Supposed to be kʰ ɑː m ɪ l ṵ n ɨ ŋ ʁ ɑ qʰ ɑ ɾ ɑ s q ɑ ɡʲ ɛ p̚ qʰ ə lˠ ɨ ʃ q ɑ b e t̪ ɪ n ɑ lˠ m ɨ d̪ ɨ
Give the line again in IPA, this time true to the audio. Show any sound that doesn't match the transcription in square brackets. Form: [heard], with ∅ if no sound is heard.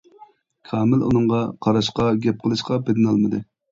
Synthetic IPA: kʰ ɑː m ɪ l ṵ n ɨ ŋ ʁ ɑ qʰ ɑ ɾ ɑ [ʃ] q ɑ ɡʲ ɛ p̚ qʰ ə lˠ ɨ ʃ q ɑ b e [d̪] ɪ n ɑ lˠ m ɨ d̪ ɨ